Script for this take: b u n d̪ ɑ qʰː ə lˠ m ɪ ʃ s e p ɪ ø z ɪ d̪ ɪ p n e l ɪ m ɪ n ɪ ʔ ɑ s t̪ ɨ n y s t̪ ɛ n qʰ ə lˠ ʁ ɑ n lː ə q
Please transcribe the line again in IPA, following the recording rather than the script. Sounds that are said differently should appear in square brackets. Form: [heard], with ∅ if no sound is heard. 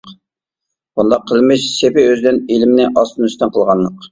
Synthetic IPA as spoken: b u n d̪ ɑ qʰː ə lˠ m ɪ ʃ s e p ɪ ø z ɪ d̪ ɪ [∅] n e l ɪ m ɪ n ɪ ʔ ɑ s t̪ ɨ n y s t̪ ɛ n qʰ ə lˠ ʁ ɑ n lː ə q